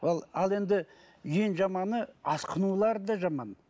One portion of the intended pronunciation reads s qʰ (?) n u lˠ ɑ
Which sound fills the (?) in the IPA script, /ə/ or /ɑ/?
ə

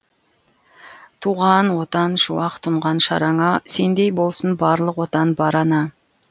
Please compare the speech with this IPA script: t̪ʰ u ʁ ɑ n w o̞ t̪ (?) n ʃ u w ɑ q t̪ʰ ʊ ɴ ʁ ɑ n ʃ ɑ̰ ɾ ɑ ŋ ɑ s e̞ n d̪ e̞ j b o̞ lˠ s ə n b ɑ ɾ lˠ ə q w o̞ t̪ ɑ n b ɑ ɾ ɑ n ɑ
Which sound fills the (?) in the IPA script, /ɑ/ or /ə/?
ɑ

